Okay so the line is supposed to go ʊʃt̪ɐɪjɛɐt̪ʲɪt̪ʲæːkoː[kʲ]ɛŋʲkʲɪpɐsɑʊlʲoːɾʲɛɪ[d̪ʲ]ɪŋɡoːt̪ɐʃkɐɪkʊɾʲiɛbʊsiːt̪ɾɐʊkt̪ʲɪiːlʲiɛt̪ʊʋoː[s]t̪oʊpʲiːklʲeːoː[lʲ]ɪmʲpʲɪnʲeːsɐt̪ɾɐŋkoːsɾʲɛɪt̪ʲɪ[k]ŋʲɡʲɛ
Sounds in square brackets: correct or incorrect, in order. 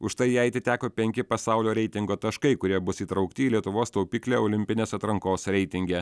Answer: incorrect: pʲ, incorrect: t̪ʲ, correct, correct, incorrect: none

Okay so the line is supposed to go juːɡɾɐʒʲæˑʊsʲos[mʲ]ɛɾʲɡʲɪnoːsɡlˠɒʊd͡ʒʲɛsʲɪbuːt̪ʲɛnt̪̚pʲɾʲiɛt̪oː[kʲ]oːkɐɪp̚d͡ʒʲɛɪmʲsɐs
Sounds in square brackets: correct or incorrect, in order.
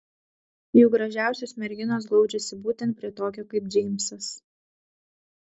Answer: correct, correct

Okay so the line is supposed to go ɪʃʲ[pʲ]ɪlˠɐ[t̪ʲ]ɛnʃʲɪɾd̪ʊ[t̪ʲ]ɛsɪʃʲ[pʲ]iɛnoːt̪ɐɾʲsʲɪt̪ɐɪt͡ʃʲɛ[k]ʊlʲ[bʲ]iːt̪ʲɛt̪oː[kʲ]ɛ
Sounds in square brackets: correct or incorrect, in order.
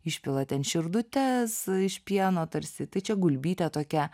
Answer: correct, correct, correct, correct, incorrect: ɡ, correct, correct

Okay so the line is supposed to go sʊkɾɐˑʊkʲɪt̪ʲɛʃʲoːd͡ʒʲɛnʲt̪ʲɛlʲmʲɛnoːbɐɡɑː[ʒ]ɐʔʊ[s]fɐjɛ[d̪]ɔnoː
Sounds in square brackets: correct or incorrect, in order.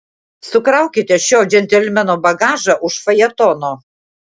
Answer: correct, incorrect: ʃ, incorrect: t̪

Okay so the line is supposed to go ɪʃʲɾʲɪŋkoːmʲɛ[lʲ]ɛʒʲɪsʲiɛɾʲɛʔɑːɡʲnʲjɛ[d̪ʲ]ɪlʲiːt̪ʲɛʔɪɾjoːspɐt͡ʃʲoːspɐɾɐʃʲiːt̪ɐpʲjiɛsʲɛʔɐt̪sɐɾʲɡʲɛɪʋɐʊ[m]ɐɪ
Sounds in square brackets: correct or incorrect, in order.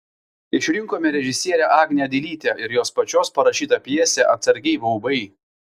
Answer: incorrect: ɾʲ, correct, incorrect: b

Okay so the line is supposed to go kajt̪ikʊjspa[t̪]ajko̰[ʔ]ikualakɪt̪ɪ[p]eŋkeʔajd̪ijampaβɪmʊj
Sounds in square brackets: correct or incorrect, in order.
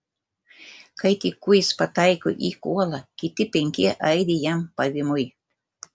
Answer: correct, correct, correct

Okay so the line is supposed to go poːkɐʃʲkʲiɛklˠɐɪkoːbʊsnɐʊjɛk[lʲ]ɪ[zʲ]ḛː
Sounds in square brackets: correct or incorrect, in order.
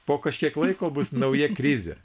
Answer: incorrect: ɾʲ, correct

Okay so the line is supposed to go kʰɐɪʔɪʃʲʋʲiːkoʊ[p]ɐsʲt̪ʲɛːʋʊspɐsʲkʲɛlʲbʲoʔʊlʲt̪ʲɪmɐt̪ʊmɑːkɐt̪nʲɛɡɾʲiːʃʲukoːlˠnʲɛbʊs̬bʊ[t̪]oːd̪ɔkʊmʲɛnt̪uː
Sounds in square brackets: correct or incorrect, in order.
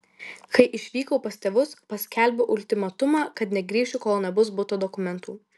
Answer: correct, correct

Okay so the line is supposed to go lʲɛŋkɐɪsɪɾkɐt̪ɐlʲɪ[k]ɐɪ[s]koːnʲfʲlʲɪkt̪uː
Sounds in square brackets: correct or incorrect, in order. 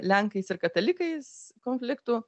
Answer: correct, correct

